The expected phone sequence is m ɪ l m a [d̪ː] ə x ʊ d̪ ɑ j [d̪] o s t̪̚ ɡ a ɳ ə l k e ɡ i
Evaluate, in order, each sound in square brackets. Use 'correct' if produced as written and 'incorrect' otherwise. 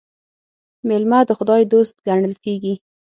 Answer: incorrect, correct

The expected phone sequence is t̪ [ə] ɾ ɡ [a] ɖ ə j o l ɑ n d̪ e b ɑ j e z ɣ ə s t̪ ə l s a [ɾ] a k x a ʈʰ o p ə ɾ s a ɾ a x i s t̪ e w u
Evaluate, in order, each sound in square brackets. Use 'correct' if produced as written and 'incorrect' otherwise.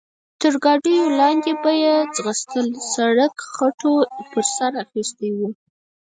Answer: correct, incorrect, incorrect

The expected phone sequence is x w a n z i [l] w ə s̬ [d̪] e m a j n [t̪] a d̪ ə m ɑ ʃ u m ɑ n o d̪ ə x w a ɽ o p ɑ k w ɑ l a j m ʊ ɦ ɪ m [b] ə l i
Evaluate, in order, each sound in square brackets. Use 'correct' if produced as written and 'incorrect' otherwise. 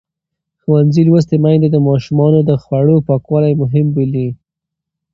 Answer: correct, incorrect, incorrect, correct

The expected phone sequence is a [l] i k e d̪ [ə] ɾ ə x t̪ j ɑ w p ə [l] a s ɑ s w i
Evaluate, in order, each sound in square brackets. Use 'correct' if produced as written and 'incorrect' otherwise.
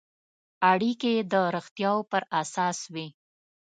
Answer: incorrect, correct, incorrect

